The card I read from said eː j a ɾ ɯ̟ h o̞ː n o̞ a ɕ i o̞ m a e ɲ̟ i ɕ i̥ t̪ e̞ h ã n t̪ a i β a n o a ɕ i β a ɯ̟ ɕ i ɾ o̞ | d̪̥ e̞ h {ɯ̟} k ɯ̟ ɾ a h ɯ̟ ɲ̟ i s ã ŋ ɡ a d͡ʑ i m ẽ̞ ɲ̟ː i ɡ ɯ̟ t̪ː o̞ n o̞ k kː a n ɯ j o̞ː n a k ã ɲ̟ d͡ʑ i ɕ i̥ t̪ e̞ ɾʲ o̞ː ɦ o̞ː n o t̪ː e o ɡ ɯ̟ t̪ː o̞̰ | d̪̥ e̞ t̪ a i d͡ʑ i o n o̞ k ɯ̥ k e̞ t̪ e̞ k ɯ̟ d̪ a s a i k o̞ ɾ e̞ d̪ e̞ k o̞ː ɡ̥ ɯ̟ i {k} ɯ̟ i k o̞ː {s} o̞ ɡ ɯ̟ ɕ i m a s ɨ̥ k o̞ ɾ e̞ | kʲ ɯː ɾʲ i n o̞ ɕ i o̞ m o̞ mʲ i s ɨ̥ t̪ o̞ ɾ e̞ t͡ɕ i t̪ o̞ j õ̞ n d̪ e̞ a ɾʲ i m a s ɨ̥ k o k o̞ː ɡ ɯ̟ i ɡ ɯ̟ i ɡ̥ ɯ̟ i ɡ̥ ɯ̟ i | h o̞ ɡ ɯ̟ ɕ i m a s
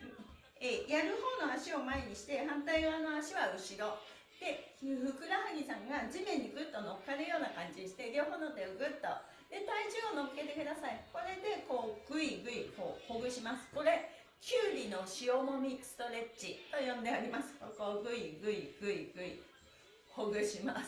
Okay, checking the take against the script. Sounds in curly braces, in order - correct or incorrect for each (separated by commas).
correct, incorrect, incorrect